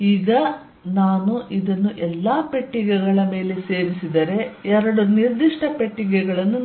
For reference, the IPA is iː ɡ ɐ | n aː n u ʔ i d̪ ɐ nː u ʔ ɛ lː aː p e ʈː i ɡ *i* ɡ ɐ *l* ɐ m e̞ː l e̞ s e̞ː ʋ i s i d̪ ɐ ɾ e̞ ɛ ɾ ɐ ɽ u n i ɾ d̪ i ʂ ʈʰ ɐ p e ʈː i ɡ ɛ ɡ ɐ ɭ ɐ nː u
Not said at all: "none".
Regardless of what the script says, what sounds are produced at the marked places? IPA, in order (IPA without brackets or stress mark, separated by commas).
ɛ, ɭ